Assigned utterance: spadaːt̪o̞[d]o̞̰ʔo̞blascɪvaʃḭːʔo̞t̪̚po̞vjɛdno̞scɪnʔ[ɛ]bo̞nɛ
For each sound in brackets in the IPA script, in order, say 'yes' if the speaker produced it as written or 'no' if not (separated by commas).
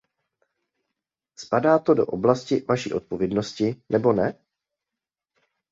yes, yes